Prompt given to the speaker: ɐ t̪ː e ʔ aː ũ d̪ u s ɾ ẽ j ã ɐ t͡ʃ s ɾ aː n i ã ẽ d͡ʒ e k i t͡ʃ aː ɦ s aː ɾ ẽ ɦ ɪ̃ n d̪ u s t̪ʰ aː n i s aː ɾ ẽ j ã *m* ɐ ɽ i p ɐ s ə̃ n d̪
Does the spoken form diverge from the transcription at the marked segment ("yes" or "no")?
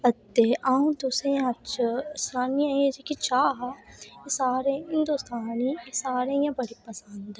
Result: yes